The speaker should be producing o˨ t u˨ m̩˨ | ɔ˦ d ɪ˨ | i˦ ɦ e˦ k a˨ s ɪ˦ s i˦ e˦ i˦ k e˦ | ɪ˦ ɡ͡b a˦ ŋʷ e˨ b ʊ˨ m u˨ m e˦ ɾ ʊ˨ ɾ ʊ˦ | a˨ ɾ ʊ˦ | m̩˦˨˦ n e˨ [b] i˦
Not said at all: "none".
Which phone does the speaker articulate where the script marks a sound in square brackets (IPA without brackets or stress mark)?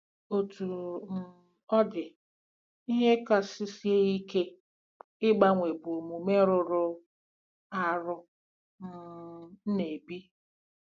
b